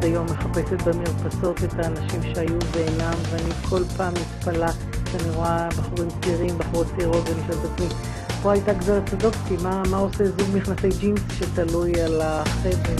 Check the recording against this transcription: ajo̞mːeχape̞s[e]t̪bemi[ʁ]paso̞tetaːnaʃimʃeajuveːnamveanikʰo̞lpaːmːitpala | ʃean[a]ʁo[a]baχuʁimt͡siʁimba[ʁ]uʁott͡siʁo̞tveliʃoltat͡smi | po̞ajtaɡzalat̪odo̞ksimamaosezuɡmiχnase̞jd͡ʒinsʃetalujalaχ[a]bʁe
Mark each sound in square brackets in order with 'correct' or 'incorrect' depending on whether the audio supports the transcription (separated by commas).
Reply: correct, correct, incorrect, correct, incorrect, incorrect